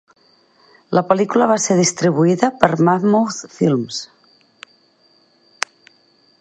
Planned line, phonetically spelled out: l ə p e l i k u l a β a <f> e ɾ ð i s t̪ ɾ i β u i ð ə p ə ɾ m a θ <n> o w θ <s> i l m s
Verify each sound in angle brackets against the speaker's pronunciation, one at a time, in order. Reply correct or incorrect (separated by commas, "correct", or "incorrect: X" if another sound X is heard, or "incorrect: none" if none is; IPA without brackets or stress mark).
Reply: incorrect: s, incorrect: m, incorrect: f